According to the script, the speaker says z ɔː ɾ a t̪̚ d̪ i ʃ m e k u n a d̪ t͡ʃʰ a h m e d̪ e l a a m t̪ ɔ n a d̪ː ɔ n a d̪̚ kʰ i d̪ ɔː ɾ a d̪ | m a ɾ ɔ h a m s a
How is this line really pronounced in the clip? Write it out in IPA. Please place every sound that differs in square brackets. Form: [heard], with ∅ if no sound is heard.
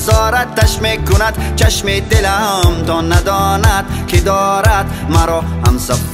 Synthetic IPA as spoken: z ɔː ɾ a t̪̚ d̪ [a] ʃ m e k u n a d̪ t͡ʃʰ a [ʃ] m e d̪ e l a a m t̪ ɔ n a [d̪] ɔ n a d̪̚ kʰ i d̪ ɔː ɾ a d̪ | m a ɾ ɔ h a m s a